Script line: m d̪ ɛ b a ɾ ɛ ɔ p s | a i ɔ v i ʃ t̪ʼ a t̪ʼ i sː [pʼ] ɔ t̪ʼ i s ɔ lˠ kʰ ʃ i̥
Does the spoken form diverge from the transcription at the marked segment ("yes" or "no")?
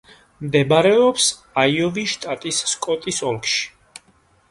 yes